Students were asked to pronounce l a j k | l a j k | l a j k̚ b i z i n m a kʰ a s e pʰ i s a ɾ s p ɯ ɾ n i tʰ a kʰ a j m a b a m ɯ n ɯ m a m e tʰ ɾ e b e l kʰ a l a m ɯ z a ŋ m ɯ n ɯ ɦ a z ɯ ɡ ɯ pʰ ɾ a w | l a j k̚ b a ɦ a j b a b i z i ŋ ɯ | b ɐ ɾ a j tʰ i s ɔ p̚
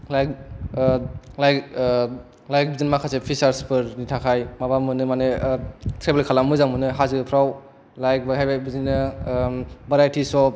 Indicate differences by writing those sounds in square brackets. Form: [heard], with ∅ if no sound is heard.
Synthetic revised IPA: l a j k | l a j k | l a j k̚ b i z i n m a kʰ a s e pʰ i s a ɾ s p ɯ ɾ n i tʰ a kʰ a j m a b a m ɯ n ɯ m a [n] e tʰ ɾ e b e l kʰ a l a m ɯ z a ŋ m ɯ n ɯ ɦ a z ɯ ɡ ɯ pʰ ɾ a w | l a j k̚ b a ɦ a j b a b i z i [n] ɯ | b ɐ ɾ a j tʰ i s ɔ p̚